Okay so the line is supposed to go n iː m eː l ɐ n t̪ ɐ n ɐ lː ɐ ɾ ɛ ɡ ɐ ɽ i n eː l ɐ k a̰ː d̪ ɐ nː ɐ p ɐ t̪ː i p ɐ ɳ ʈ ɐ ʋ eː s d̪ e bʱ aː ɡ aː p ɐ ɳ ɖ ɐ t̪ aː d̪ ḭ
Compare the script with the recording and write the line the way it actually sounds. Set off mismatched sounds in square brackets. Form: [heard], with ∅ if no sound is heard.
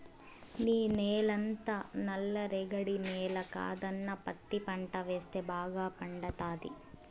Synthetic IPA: n iː [n] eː l ɐ n t̪ ɐ n ɐ lː ɐ ɾ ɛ ɡ ɐ ɽ i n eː l ɐ k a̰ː d̪ ɐ nː ɐ p ɐ t̪ː i p ɐ ɳ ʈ ɐ ʋ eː s [t̪] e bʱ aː ɡ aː p ɐ ɳ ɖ ɐ t̪ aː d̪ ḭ